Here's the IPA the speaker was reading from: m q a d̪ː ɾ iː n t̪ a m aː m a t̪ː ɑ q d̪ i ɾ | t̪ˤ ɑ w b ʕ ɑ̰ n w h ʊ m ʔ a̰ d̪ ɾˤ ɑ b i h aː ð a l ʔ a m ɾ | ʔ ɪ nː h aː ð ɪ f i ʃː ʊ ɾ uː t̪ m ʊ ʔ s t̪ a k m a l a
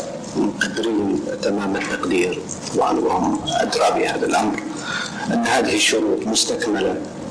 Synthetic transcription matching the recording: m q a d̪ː ɾ iː n t̪ a m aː m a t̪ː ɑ q d̪ iː ɾ | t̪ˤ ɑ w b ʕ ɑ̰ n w h ʊ m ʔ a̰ d̪ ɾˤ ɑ b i h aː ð a l ʔ a m ɾ | ʔ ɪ nː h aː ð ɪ h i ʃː ʊ ɾ uː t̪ m ʊ s t̪ a k m a l a